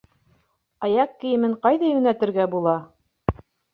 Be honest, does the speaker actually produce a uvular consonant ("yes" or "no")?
yes